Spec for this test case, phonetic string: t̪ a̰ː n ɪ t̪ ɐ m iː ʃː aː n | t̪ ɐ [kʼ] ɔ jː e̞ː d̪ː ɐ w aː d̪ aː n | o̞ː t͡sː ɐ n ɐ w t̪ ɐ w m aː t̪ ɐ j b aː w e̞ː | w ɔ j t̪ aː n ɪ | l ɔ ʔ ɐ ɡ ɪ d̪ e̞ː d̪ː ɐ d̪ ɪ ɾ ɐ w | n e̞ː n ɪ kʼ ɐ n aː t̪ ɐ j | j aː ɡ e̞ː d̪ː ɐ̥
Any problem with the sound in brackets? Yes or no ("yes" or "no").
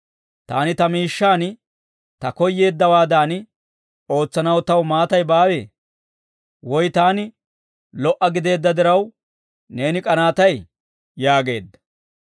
yes